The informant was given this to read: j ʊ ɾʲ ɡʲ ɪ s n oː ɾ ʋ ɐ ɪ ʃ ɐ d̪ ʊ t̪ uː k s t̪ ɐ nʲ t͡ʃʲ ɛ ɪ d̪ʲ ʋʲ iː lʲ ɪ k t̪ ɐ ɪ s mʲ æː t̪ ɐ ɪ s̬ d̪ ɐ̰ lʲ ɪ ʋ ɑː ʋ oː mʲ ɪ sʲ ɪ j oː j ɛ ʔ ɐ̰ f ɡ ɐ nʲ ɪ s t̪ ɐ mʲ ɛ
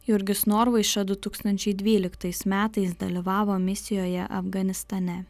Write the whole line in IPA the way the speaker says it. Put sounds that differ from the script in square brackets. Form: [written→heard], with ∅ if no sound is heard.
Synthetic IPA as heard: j ʊ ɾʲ ɡʲ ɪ s n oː ɾ ʋ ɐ ɪ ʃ ɐ d̪ ʊ t̪ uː k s t̪ ɐ nʲ t͡ʃʲ ɛ ɪ d̪ʲ ʋʲ iː lʲ ɪ k t̪ ɐ ɪ s mʲ æː t̪ ɐ ɪ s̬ d̪ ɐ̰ lʲ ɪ ʋ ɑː ʋ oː mʲ ɪ sʲ ɪ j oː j ɛ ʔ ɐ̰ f ɡ ɐ nʲ ɪ s t̪ ɐ [mʲ→nʲ] ɛ